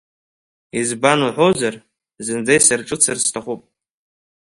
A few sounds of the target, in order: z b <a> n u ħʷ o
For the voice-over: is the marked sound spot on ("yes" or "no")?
yes